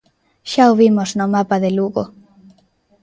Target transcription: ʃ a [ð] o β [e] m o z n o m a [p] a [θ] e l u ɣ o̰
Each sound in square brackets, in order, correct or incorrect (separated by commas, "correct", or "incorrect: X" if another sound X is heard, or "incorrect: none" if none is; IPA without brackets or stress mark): incorrect: none, incorrect: i, correct, incorrect: ð